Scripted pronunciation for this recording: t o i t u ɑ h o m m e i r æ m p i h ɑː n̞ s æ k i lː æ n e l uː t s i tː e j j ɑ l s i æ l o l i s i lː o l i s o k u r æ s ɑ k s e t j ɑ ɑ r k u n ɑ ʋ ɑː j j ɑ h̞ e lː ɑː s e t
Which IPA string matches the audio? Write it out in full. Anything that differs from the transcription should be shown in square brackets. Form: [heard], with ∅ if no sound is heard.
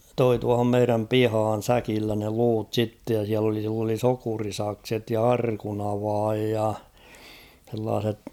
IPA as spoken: t o i t u ɑ h o m m e i r æ m p i h ɑː n̞ s æ k i lː æ n e l uː t s i tː e j j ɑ [∅] s i æ l o l i s i lː o l i s o k u r [i] s ɑ k s e t j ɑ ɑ r k u n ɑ ʋ ɑː j j ɑ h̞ e lː ɑː s e t